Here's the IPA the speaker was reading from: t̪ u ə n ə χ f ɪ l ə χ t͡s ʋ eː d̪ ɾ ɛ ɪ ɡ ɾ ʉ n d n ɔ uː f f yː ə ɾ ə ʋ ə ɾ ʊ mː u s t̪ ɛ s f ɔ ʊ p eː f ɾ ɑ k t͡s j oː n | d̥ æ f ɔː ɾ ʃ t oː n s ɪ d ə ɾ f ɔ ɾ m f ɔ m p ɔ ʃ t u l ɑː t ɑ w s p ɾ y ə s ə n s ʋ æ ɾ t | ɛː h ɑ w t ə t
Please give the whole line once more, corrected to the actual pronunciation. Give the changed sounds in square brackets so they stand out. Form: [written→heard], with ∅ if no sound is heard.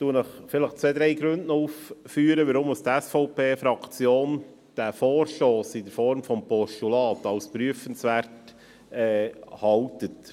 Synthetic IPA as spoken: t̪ u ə n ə χ f ɪ l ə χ t͡s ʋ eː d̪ ɾ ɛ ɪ ɡ ɾ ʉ n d n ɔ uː f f yː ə ɾ ə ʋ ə ɾ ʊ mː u s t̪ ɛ s f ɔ ʊ p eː f ɾ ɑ k t͡s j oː n | d̥ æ f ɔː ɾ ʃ t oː [n→∅] s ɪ d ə ɾ f ɔ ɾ m f ɔ m p ɔ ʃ t u l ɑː t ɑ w s p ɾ y ə [s→f] ə n s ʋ æ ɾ t | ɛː h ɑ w t ə t